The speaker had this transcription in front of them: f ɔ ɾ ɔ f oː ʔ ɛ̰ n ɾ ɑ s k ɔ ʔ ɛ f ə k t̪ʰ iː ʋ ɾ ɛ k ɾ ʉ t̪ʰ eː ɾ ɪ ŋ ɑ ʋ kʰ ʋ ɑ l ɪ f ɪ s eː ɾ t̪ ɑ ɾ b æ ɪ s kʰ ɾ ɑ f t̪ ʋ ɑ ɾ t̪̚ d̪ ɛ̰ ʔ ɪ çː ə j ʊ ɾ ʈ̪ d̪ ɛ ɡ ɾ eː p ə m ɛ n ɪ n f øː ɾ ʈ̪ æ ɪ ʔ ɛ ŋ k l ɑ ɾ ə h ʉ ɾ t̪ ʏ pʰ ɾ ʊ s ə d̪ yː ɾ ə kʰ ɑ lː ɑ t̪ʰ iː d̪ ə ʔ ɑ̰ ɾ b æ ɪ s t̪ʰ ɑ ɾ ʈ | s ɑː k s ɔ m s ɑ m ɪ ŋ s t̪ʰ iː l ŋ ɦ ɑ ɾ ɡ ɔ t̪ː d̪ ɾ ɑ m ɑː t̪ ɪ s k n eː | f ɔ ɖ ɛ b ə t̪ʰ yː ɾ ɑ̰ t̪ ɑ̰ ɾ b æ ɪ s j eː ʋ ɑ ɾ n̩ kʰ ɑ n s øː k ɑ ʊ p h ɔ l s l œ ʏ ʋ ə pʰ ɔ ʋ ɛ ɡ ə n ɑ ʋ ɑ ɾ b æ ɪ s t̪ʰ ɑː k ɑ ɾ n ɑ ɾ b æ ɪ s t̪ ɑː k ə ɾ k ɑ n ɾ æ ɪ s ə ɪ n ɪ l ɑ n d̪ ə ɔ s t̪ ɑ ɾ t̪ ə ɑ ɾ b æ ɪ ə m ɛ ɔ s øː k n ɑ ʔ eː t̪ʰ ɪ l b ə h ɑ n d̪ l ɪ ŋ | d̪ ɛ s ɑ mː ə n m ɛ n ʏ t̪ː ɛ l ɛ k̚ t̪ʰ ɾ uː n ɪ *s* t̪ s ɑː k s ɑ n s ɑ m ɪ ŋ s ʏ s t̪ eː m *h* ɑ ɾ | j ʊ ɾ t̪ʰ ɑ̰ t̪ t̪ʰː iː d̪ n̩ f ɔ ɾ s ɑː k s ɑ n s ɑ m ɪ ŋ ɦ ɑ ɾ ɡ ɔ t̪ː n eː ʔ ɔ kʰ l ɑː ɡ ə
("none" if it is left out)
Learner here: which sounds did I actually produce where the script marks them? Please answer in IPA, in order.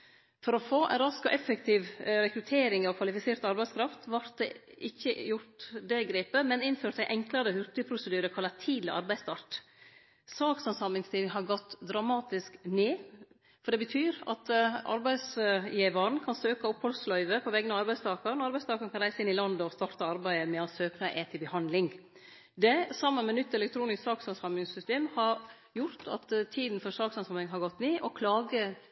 s, h

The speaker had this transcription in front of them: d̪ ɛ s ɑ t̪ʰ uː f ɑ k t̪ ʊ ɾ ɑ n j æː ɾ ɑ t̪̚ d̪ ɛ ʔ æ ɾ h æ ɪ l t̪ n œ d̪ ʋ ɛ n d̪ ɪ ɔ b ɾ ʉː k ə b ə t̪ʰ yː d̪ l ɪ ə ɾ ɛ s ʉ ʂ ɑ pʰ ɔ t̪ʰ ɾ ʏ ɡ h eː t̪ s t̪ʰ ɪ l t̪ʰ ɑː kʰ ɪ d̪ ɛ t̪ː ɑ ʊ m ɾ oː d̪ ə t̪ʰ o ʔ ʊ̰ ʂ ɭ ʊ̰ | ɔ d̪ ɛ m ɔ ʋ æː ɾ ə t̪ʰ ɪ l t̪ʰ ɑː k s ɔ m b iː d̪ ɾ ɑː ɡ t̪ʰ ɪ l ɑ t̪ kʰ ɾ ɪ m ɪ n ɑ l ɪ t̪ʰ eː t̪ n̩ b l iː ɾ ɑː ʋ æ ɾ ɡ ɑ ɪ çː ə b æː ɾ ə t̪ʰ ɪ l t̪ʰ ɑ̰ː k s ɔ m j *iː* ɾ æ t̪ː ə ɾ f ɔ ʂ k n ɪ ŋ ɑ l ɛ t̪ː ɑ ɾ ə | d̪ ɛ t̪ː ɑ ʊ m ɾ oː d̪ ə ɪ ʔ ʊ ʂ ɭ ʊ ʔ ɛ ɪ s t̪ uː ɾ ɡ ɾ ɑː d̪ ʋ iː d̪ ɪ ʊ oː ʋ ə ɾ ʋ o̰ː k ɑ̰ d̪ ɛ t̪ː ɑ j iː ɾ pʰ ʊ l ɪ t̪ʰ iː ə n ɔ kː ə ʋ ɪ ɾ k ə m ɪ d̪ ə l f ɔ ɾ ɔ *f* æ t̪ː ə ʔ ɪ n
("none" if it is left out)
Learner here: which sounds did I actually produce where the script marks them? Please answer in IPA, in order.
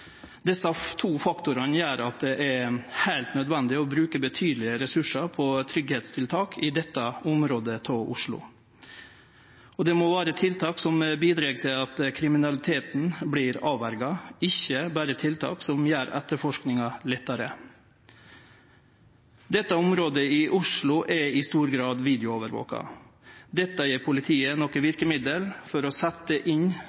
æː, s

